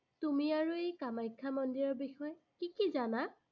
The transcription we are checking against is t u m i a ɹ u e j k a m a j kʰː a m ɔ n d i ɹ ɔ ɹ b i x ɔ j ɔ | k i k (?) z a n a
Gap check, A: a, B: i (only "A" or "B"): B